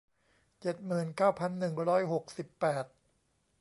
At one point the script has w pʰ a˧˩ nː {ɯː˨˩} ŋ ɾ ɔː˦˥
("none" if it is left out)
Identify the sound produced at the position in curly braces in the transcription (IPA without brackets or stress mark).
ɯ˨˩